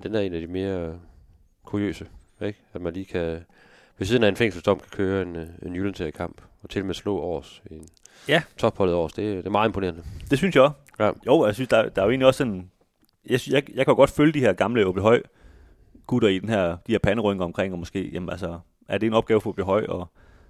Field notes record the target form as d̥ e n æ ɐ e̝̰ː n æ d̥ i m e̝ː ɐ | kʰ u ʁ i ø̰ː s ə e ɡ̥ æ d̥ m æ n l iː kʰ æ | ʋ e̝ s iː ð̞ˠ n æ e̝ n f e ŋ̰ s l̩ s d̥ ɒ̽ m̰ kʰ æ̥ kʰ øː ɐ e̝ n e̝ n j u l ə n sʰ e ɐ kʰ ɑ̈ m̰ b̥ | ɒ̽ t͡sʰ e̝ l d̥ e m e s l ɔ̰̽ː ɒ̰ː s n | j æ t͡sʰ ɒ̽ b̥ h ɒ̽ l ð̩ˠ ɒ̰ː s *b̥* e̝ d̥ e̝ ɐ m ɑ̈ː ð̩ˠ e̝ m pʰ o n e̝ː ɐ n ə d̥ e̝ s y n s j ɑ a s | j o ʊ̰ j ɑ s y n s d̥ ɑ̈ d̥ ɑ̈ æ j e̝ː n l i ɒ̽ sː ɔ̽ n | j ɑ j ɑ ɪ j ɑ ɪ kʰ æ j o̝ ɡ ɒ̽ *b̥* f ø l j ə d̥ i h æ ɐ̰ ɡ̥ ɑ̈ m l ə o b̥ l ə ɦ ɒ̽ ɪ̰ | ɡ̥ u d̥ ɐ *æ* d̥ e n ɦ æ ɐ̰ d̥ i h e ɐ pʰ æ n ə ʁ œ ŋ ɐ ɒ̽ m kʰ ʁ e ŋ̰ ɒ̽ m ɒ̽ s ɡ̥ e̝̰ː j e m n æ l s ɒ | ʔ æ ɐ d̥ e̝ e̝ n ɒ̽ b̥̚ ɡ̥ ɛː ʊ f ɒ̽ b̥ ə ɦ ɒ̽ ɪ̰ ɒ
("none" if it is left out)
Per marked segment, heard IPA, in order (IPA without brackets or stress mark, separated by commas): d̥, d̥, i